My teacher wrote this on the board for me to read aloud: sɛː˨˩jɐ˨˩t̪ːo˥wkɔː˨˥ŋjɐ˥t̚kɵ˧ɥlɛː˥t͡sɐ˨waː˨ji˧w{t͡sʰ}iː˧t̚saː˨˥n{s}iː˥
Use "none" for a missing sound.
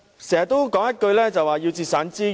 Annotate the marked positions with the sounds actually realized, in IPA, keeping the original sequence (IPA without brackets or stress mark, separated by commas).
t͡s, t͡s